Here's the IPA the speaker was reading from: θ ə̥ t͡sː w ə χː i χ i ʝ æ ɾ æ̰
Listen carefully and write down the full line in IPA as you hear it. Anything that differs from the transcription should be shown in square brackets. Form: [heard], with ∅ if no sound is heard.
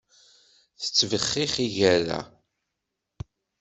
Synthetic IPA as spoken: θ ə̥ t͡sː [v] ə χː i χ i ʝ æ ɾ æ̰